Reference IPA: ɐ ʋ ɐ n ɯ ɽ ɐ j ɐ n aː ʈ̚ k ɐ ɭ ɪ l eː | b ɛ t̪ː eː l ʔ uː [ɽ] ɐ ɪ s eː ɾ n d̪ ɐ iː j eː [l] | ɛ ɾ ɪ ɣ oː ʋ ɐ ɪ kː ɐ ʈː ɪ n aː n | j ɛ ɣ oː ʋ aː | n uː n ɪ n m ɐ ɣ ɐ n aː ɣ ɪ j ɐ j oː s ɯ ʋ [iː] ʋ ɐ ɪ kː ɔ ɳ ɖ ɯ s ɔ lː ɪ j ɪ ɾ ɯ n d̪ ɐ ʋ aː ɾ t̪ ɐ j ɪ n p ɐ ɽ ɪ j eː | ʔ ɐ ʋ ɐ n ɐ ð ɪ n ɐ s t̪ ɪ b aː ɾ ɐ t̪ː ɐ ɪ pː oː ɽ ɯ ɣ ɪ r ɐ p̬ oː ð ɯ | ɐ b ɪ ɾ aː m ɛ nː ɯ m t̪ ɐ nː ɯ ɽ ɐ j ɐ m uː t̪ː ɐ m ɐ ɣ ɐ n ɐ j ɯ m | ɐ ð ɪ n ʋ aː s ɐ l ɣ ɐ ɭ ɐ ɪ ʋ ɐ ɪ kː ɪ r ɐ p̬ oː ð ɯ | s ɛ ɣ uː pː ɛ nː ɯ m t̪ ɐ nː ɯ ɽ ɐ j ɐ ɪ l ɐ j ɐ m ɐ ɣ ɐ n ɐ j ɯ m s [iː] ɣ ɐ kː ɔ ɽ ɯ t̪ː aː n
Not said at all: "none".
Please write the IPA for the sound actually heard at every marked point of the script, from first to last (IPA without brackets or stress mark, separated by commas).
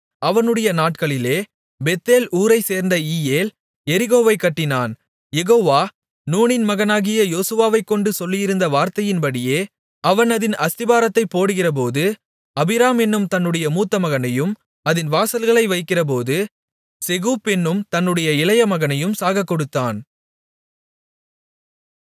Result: ɾ, l, aː, aː